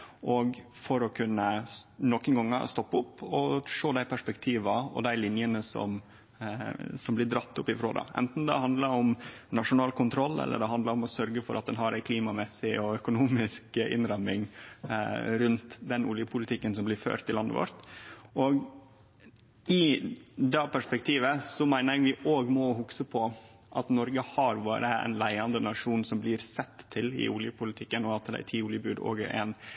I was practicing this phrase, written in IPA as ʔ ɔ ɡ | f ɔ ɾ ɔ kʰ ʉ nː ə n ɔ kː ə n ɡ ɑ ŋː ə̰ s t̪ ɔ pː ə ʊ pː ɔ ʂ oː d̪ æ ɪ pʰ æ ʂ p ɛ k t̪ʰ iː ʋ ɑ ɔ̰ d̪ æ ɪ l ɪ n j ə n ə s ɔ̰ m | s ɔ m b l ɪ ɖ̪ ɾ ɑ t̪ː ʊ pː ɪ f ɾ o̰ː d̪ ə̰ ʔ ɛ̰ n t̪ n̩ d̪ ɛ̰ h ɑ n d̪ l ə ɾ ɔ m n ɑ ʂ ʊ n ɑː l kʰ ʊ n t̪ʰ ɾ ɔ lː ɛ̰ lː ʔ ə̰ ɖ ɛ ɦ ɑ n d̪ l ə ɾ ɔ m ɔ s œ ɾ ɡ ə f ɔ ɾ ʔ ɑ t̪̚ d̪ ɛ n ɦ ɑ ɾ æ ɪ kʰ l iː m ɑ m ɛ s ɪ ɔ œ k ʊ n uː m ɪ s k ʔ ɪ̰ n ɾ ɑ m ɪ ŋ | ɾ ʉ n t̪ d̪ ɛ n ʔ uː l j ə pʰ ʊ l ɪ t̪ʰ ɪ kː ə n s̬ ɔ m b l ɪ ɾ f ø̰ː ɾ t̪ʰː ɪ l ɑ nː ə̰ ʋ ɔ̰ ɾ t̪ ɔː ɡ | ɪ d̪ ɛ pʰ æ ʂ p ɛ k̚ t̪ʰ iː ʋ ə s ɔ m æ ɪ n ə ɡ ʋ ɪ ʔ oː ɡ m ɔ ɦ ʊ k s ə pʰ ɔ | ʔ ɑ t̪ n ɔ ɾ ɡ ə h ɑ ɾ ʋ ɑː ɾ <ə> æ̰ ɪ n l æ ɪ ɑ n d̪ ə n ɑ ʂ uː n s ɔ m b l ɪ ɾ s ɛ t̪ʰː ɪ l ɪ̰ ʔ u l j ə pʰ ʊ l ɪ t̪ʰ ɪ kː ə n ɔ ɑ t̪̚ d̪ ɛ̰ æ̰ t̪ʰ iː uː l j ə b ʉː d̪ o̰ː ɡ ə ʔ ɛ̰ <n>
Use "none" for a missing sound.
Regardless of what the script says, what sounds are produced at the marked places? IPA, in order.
ə, n

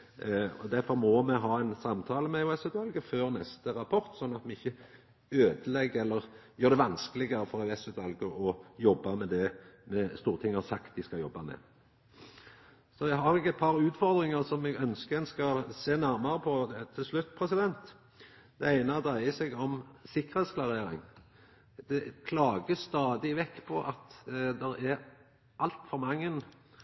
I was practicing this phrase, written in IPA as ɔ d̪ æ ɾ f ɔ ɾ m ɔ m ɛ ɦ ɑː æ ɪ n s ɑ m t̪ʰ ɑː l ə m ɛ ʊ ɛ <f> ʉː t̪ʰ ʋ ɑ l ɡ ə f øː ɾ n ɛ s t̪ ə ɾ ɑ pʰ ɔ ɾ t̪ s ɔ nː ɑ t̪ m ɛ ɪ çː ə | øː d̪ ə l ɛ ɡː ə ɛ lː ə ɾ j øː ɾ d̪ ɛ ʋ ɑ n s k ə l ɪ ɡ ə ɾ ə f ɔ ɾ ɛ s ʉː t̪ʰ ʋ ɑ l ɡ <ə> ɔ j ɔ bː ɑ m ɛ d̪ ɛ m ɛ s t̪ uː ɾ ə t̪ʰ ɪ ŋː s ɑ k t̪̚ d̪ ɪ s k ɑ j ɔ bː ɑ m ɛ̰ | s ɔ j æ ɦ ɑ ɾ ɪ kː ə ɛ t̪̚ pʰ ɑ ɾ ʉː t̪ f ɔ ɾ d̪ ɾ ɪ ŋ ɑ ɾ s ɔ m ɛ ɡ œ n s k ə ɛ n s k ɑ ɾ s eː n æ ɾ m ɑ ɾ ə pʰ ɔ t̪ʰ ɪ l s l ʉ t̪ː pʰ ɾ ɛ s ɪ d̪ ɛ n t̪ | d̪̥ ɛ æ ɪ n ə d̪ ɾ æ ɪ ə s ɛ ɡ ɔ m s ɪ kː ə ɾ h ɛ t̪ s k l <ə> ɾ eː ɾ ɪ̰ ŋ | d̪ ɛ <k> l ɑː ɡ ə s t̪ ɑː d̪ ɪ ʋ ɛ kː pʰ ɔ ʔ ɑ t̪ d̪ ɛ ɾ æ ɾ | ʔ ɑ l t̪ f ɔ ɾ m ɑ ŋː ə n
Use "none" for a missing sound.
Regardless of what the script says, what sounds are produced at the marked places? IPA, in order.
s, ə, ɑ, kʰ

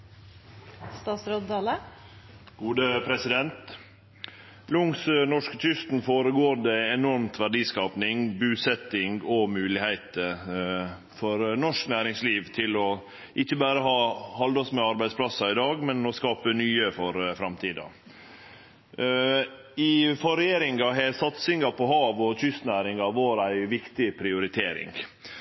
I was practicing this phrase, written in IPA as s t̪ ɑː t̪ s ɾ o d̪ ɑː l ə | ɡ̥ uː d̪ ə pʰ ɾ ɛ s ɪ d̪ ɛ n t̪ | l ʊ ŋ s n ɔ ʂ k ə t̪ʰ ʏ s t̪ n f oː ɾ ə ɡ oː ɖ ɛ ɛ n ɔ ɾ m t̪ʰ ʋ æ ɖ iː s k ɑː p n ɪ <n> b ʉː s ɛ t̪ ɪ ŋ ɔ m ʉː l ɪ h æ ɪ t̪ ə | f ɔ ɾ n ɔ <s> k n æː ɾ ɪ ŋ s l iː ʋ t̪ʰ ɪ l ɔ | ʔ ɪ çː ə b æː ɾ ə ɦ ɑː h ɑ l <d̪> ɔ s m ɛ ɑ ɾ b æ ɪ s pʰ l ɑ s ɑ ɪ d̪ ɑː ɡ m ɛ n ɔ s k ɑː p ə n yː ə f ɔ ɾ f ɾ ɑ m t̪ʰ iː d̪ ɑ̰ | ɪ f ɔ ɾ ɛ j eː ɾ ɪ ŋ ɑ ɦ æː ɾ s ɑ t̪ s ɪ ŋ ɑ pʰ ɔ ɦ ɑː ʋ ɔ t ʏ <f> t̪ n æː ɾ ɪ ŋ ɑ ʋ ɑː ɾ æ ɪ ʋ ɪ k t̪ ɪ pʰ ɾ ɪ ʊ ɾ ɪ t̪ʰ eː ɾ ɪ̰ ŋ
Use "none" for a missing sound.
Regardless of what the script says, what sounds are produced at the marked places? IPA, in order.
ŋ, ʂ, d̪, s

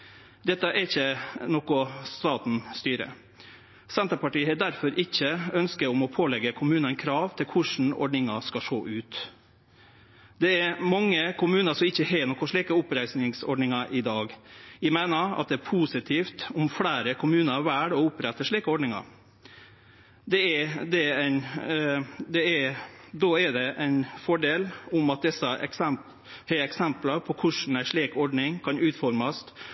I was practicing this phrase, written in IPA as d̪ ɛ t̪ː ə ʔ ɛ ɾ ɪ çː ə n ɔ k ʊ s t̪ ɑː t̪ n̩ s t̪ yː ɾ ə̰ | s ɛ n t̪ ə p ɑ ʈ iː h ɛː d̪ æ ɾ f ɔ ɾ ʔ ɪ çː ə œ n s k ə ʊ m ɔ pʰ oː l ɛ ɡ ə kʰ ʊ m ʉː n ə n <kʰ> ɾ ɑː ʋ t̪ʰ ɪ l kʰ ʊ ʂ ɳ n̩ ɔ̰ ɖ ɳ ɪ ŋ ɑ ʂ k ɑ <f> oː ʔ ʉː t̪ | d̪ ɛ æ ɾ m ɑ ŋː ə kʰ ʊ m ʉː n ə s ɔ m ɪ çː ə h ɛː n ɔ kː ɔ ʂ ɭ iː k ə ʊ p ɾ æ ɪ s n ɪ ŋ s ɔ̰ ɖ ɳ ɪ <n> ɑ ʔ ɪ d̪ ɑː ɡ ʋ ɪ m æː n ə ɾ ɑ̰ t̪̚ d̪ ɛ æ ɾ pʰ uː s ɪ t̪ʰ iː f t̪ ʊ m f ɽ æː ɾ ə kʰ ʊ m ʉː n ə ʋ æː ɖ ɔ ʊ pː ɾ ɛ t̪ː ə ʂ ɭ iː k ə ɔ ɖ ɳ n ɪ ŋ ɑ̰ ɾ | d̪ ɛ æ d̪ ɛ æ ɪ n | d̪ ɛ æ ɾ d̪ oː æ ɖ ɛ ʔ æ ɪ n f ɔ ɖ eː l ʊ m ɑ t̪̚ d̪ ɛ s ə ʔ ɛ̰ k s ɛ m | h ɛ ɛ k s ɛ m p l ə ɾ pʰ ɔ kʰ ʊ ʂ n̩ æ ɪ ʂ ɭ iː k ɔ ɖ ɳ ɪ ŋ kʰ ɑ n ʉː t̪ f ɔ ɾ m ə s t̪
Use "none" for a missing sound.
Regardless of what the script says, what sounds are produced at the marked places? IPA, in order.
kʰ, ʂ, ŋ

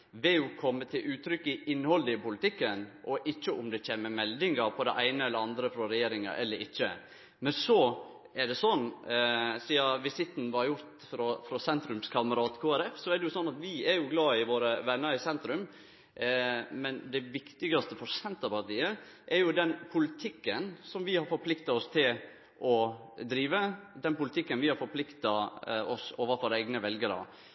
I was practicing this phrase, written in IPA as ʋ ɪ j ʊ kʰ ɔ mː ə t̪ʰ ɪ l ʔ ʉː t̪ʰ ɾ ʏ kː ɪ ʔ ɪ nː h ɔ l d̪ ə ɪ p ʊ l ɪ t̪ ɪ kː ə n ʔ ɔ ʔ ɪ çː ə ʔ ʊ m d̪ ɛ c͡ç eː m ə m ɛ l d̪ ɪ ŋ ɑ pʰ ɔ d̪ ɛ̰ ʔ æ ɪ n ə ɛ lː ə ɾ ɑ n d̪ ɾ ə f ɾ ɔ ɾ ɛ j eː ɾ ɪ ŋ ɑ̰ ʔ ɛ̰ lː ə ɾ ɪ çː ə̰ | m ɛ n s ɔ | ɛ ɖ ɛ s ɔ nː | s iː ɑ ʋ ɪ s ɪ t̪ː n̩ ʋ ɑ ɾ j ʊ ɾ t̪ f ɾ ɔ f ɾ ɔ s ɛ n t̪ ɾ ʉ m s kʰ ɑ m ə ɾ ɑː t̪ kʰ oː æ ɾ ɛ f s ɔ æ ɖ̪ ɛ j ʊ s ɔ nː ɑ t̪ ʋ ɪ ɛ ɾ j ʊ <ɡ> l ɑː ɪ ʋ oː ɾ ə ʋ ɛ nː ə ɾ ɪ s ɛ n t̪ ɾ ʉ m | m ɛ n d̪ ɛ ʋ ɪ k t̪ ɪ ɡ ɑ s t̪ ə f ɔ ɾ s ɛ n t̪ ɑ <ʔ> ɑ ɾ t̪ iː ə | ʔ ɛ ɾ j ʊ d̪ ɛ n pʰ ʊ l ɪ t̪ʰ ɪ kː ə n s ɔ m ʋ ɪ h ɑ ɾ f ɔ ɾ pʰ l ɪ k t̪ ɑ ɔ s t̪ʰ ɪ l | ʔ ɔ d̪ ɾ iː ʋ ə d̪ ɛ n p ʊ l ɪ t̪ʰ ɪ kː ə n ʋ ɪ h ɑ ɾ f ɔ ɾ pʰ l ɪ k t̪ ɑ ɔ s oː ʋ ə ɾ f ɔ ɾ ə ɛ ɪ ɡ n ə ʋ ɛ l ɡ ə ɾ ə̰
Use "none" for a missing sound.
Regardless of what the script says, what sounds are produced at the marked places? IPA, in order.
ɡ, p

